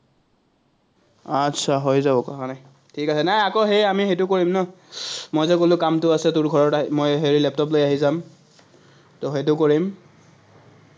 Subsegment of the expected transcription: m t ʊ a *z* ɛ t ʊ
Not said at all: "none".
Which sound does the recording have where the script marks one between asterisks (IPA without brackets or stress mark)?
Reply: s